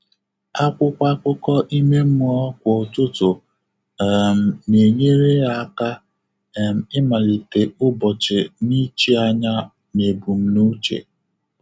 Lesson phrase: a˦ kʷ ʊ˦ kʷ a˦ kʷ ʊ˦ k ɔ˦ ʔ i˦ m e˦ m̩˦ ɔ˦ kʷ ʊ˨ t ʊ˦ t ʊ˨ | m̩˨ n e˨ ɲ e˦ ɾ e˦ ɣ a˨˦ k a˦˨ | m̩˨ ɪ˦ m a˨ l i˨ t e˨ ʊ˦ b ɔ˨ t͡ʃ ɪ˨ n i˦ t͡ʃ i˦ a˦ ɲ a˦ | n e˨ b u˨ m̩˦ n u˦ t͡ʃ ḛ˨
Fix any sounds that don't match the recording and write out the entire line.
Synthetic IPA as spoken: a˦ kʷ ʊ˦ kʷ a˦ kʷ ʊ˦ k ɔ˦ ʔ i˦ m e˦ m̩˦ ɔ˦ kʷ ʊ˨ t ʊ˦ t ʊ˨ | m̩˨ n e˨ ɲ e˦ ɾ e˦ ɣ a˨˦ k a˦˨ | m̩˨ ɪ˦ m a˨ l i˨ t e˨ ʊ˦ b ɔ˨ t͡ʃ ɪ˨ n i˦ t͡ʃ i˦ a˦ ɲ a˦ | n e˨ b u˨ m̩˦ n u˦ t͡ʃ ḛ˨